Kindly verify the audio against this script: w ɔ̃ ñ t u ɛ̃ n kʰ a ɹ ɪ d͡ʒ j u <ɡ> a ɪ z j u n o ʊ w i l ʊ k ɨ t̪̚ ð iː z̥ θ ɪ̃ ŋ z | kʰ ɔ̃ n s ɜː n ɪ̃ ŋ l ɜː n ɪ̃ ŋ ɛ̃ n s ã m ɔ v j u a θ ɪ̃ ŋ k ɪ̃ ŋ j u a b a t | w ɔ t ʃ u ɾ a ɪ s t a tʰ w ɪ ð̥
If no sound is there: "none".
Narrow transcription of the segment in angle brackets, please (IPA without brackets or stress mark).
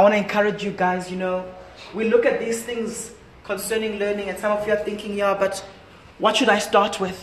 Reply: ɡ